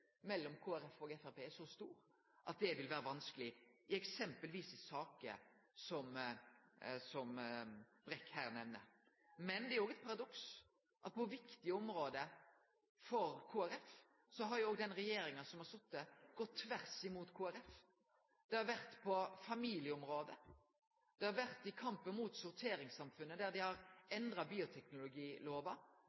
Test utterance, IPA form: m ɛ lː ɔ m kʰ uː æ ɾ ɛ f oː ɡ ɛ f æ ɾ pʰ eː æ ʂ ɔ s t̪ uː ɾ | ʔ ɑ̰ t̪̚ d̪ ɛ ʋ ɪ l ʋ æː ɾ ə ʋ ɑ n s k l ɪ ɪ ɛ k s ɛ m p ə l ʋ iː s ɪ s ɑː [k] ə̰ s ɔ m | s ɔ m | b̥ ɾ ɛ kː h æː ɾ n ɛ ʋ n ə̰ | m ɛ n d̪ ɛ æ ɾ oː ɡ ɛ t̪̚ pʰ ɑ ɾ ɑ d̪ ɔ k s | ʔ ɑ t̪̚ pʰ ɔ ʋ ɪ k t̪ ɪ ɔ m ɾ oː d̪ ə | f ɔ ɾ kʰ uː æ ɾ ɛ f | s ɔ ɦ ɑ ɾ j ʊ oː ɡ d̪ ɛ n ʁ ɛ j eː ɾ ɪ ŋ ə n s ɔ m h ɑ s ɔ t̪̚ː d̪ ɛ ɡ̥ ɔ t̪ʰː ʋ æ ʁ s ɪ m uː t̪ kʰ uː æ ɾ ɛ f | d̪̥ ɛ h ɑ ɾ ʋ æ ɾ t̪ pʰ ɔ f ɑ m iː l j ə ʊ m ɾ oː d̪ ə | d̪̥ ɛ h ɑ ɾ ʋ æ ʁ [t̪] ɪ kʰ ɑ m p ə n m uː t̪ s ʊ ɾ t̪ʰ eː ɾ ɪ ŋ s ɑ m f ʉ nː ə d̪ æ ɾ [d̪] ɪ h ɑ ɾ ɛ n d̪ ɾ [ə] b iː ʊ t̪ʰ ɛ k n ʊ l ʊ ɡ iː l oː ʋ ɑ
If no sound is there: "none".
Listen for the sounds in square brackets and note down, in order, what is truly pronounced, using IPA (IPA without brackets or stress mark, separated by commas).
k, t̪, d̪, ɑ